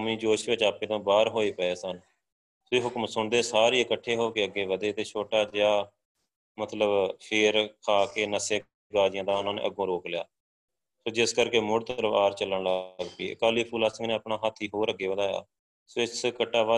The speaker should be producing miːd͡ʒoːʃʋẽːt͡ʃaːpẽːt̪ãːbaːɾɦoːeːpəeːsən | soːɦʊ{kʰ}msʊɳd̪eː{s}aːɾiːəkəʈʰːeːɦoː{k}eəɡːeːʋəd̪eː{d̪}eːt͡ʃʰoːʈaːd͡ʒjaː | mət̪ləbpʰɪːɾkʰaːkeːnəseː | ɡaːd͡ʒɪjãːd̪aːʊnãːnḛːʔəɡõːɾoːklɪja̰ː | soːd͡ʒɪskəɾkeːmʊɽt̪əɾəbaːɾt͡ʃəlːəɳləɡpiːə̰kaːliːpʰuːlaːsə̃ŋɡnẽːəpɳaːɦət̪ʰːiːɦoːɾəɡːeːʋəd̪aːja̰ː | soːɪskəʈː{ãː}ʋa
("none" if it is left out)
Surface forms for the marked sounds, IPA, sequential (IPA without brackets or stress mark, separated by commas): k, s, k, t̪, aː